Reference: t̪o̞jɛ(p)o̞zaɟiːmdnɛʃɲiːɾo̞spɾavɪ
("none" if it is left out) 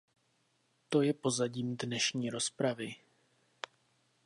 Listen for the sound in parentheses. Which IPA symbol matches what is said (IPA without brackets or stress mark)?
p